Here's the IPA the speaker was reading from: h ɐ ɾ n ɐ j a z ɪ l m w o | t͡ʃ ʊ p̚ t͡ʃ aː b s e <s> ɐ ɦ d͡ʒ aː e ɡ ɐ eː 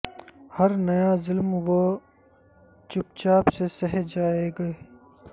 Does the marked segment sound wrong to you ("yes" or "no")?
no